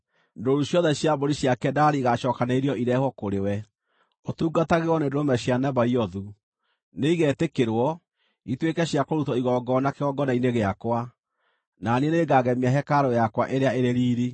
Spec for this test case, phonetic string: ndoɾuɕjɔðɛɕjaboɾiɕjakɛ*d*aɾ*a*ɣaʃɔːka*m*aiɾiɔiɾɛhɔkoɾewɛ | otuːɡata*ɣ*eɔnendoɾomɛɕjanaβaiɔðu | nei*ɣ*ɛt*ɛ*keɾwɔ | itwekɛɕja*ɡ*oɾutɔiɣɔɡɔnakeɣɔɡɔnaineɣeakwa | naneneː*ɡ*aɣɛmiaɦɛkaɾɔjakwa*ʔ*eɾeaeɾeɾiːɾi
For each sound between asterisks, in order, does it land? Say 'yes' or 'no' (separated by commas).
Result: yes, no, no, yes, yes, no, no, yes, yes